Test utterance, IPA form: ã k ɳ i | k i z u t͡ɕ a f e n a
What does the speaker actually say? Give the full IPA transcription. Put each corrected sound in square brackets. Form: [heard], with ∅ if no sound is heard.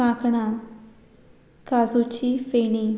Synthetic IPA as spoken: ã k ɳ [a] | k [a] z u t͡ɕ [i] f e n [i]